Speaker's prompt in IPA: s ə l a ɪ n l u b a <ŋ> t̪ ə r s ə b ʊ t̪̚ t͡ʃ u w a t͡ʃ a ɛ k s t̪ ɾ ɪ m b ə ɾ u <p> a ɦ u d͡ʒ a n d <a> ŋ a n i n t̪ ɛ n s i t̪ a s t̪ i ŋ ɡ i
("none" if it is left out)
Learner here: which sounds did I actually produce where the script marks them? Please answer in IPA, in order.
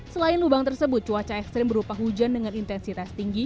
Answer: ŋ, p, ə

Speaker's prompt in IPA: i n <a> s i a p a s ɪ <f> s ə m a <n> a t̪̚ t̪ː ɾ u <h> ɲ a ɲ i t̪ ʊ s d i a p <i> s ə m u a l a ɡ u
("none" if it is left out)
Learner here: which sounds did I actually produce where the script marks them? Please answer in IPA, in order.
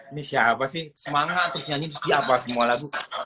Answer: i, h, ŋ, s, a

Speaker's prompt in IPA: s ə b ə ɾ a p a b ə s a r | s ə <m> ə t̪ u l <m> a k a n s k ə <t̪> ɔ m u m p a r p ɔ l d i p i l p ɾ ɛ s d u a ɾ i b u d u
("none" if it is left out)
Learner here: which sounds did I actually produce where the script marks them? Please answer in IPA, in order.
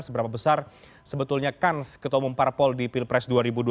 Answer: b, ɲ, t̪

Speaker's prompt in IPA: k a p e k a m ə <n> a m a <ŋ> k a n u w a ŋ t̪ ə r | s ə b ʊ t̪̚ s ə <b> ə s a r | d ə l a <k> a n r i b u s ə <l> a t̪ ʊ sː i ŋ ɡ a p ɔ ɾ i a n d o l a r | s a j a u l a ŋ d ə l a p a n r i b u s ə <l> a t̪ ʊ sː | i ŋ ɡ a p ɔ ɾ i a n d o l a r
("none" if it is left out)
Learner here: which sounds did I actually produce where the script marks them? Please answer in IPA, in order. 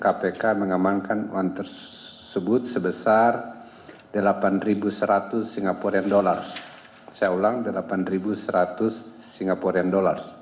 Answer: ŋ, ŋ, b, p, ɾ, ɾ

